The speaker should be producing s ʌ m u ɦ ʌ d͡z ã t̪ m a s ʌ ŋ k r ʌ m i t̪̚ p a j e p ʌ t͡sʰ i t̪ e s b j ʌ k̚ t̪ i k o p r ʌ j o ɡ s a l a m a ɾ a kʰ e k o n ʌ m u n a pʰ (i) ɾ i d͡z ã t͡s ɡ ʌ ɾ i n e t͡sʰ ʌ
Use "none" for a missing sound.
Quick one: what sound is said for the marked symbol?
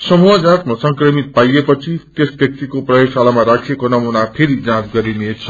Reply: e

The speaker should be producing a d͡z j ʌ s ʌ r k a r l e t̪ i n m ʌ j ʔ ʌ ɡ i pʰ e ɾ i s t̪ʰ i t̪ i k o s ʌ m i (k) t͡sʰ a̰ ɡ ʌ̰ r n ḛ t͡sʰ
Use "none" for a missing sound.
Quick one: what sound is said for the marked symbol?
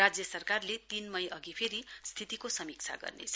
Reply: k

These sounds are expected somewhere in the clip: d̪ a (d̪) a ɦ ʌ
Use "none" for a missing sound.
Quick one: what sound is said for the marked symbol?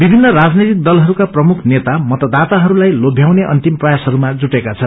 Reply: t̪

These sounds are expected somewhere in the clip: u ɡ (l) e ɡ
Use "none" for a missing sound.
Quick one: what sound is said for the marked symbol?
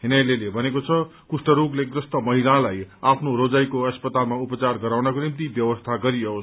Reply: l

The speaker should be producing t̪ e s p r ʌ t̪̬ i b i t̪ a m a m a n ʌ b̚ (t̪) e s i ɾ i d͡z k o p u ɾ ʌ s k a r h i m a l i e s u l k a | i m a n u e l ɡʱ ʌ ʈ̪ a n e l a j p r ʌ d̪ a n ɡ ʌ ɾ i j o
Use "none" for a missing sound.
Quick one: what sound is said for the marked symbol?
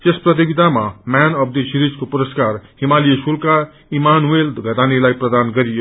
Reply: d̪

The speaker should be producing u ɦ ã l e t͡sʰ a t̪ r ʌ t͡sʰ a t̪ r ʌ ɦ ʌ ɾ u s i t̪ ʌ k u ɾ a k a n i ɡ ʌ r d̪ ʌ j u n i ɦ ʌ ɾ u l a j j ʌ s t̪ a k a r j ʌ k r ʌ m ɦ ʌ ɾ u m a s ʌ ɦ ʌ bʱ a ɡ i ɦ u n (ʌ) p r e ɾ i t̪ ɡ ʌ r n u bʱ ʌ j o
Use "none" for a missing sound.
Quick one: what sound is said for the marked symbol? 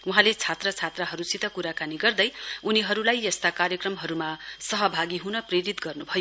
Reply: ʌ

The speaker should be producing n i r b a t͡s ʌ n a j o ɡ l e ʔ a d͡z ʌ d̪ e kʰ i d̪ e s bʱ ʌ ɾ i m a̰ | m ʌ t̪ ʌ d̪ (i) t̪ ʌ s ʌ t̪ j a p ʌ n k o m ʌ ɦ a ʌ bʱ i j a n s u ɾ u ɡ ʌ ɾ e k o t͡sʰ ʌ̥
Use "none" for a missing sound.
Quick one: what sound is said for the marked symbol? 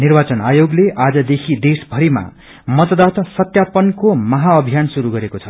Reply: a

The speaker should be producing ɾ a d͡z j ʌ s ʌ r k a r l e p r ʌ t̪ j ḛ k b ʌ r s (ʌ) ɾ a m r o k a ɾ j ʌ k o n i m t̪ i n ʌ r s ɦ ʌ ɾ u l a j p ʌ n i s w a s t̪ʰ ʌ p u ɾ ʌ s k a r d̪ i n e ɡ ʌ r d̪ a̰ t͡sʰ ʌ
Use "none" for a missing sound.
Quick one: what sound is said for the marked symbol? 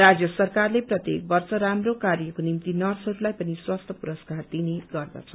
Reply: ʌ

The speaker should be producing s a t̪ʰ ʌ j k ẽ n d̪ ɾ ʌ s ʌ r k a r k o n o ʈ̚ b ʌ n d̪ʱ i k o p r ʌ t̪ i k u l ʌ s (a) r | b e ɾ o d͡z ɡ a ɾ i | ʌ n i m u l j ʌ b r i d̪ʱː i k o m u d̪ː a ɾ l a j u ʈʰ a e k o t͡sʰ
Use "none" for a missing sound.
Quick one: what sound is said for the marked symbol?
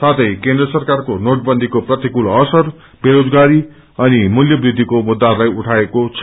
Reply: ʌ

